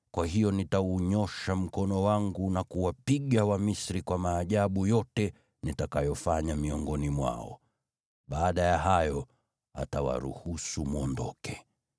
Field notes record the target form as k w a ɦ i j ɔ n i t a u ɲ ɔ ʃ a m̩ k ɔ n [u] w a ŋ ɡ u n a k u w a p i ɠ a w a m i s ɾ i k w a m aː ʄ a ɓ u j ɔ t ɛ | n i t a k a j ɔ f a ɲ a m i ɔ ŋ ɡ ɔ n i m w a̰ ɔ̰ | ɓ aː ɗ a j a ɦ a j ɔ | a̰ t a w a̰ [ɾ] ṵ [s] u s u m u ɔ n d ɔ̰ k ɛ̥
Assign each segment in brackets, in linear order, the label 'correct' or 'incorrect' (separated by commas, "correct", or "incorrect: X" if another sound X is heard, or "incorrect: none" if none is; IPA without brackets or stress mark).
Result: incorrect: ɔ, correct, incorrect: h